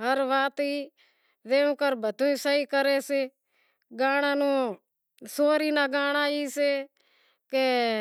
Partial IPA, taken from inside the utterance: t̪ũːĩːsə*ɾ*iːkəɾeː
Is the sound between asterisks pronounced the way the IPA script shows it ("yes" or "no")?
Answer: no